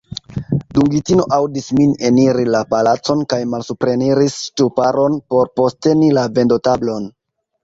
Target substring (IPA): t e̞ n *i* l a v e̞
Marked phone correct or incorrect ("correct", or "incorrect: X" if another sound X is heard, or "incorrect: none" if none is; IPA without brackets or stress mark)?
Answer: correct